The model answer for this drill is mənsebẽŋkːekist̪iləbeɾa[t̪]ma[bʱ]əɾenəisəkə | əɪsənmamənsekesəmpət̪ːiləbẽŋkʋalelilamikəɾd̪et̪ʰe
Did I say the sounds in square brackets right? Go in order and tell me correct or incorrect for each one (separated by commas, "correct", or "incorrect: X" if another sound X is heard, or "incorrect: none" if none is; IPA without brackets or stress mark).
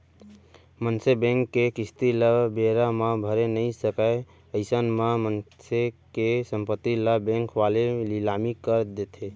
incorrect: none, correct